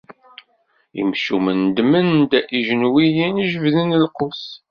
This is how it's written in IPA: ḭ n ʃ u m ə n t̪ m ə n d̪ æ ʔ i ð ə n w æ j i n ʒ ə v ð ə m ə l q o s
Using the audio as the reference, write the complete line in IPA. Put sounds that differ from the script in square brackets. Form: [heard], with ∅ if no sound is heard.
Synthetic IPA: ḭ [m] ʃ u m ə n [d̪] m ə n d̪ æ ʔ i [ʒ] ə n w [i] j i n ʒ ə v ð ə [n] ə l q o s